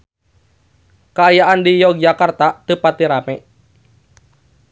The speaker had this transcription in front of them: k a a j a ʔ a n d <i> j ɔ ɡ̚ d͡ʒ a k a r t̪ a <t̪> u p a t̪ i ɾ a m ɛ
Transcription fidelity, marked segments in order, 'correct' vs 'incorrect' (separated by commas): correct, correct